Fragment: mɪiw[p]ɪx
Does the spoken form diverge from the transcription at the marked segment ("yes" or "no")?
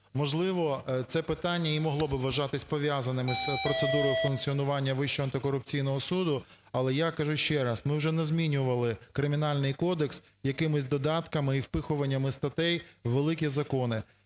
no